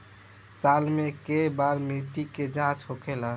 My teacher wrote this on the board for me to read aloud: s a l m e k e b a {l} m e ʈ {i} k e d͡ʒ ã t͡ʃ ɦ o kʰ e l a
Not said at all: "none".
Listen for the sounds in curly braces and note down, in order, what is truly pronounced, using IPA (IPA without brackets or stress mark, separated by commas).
ɾ, i